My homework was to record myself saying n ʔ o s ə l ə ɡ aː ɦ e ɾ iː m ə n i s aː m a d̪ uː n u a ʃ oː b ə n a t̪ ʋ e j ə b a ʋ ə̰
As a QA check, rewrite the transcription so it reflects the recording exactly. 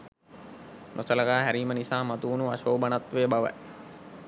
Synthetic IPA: n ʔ o s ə l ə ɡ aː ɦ æ ɾ iː m ə n i s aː m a t̪ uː n u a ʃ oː b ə n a t̪ ʋ e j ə b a ʋ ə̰